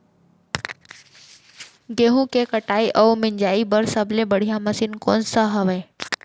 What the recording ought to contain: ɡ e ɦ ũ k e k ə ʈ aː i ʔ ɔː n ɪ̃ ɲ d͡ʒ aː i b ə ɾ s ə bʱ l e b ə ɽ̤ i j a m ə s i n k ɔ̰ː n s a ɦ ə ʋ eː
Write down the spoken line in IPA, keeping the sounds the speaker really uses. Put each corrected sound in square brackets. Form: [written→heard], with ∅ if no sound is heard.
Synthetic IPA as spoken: ɡ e ɦ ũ k e k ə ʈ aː i ʔ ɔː [n→m] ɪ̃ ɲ d͡ʒ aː i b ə ɾ s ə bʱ l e b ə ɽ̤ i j a m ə s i n k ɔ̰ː n s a ɦ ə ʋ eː